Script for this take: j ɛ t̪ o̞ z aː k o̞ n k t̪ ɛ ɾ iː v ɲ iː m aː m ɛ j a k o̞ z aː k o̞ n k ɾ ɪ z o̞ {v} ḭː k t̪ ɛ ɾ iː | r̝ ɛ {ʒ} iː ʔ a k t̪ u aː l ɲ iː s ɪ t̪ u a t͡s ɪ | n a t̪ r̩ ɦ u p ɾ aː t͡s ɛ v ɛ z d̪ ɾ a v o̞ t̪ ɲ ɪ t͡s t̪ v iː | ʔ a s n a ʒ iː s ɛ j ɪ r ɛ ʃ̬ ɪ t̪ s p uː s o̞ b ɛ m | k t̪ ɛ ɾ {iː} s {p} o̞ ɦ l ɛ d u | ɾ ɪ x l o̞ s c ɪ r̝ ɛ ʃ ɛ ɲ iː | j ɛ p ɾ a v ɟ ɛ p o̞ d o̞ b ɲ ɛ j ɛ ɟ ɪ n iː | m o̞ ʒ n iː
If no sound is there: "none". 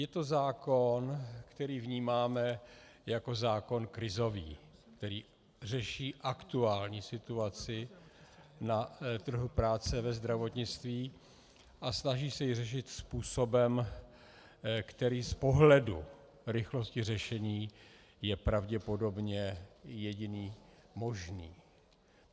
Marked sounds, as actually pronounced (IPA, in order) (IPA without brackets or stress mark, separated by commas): v, ʃ, iː, p